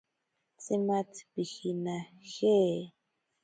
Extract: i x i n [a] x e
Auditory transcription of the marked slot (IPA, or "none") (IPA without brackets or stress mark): a